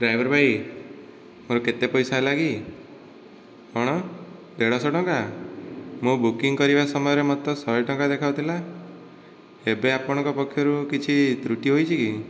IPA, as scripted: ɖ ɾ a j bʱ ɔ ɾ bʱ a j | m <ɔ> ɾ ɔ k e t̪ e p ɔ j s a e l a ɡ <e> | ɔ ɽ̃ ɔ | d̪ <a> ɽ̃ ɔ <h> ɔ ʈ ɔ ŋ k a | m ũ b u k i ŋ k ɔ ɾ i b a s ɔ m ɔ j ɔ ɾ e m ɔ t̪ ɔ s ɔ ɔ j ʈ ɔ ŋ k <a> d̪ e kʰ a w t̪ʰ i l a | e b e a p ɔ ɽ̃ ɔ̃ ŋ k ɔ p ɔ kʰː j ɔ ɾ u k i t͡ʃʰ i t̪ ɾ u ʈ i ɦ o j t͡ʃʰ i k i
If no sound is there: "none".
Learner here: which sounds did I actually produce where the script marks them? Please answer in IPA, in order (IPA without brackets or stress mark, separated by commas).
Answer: o, i, e, s, a